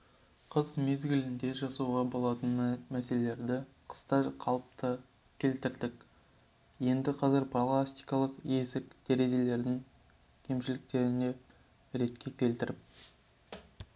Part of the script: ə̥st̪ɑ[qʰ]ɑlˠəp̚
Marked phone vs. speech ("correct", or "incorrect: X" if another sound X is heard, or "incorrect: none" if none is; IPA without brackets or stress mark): correct